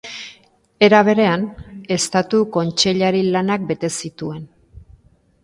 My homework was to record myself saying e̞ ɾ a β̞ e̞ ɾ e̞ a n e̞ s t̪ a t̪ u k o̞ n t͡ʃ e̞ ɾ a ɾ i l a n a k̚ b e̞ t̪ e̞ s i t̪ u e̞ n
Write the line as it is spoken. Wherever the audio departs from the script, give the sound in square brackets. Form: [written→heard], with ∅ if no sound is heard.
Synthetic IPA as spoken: e̞ ɾ a β̞ e̞ ɾ e̞ a n e̞ s t̪ a t̪ u k o̞ n t͡ʃ e̞ [ɾ→ʎ] a ɾ i l a n a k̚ b e̞ t̪ e̞ s i t̪ u e̞ n